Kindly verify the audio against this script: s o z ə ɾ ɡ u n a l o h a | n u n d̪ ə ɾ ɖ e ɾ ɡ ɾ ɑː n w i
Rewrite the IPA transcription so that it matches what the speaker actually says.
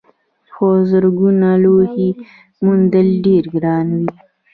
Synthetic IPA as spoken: x o z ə ɾ ɡ u n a l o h i | m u n d̪ ə l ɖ e ɾ ɡ ɾ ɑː n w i